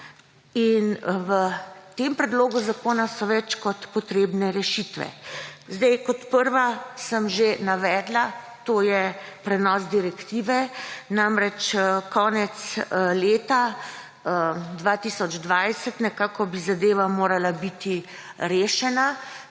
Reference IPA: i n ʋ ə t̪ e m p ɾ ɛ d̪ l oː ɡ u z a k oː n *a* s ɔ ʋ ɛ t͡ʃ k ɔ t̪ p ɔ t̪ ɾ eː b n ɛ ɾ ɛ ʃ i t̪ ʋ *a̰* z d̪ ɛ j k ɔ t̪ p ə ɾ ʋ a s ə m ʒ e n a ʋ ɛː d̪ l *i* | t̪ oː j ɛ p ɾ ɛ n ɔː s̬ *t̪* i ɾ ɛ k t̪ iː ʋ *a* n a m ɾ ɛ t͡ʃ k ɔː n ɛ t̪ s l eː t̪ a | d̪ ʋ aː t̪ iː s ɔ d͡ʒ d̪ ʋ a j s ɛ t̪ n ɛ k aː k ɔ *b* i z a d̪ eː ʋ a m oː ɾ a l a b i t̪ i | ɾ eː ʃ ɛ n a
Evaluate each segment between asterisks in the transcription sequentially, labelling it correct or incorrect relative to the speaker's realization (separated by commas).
correct, incorrect, incorrect, incorrect, incorrect, correct